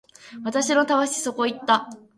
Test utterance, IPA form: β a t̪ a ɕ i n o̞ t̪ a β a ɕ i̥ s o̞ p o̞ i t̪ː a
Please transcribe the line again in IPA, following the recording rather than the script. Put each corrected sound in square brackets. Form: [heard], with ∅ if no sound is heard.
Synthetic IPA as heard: β a t̪ a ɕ i n o̞ t̪ a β a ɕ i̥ s o̞ [k] o̞ i t̪ː a